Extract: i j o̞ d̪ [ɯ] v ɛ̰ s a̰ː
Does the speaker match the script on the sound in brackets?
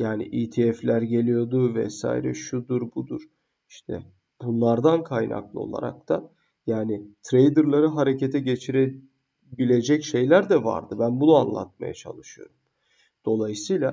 no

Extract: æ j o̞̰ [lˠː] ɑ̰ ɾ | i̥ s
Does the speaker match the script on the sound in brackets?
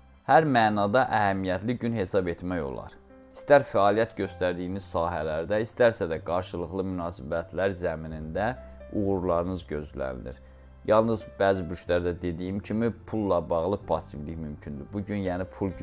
no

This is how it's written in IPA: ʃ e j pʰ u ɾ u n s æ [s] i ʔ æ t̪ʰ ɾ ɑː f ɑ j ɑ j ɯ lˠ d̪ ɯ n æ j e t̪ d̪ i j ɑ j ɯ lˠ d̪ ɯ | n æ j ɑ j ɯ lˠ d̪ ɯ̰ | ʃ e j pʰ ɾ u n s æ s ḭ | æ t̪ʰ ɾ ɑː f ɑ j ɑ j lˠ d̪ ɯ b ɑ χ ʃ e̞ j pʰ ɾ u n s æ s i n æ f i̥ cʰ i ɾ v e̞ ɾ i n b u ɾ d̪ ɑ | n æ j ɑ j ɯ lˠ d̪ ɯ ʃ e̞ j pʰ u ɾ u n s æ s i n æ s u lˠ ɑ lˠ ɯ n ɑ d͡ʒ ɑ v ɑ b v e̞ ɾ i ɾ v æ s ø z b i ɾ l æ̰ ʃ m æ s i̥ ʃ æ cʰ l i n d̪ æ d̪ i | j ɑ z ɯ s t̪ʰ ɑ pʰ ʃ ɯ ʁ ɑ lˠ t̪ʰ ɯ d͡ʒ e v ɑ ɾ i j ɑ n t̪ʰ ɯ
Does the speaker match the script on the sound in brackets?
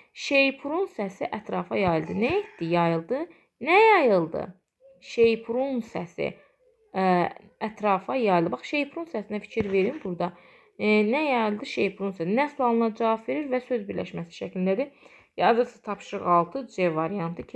yes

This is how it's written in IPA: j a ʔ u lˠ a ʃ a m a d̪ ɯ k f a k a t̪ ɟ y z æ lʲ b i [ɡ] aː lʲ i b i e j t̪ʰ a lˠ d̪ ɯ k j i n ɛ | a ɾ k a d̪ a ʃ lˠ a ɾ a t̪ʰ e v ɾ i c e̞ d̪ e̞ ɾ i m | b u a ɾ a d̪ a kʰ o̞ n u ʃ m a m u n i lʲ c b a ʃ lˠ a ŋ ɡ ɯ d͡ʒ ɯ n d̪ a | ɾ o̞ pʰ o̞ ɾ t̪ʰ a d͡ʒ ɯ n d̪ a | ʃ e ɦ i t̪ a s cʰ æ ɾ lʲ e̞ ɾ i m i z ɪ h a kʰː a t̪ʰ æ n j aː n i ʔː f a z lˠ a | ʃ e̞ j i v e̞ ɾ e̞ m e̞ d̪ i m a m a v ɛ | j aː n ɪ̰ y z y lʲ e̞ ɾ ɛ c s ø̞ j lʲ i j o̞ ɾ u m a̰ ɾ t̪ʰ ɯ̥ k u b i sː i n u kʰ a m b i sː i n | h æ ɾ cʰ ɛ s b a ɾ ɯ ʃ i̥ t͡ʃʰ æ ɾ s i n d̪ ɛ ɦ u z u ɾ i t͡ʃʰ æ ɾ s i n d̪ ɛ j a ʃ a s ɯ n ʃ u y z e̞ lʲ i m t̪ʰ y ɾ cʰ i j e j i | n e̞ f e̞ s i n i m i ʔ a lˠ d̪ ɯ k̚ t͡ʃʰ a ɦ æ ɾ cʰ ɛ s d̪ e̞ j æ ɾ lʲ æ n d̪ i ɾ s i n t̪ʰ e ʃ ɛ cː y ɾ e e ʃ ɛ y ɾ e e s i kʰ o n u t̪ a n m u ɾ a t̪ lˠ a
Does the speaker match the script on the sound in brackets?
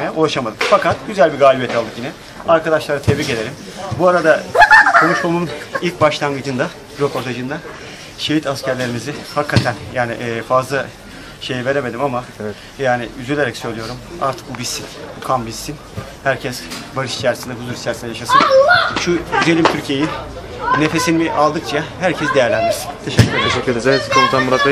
yes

